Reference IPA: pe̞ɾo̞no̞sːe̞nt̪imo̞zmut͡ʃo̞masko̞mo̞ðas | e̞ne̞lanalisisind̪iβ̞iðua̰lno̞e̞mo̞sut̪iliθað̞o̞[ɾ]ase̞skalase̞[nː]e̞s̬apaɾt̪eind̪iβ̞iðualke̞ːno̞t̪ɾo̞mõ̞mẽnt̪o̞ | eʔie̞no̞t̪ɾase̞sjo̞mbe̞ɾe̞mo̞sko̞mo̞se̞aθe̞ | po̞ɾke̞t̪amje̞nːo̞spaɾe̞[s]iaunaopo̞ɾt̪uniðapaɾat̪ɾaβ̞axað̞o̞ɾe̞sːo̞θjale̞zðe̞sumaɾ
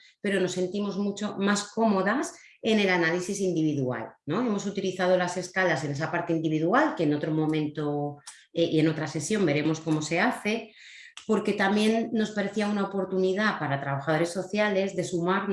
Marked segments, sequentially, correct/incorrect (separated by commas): incorrect, incorrect, incorrect